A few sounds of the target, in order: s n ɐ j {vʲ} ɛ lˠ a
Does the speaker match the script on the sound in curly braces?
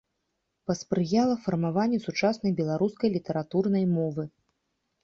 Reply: no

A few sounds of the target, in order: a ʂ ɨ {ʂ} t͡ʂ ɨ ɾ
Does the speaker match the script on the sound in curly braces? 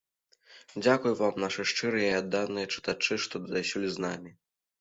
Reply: yes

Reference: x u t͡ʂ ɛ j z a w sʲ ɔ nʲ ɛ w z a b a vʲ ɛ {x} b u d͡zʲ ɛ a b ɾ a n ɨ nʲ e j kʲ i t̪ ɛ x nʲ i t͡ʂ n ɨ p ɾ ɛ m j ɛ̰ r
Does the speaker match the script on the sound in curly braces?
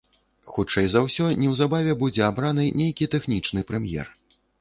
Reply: no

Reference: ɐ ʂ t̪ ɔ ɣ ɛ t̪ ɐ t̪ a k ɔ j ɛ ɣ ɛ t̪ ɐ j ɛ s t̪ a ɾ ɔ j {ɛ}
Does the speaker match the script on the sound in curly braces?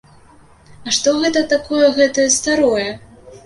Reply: yes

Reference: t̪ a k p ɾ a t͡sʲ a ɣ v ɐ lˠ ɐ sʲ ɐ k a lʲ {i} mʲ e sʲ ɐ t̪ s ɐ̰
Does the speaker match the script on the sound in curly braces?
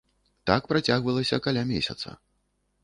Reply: no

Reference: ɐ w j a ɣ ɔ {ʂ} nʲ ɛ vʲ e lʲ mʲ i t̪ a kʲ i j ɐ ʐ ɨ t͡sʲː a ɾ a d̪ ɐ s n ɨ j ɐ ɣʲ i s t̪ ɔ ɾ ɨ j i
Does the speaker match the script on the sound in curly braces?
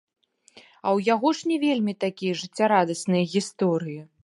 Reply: yes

